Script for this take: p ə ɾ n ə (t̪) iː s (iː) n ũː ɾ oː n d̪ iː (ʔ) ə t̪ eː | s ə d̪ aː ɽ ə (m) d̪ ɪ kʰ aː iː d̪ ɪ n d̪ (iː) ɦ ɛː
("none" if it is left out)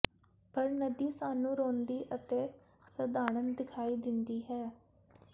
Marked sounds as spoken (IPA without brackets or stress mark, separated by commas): d̪, aː, ʔ, n, iː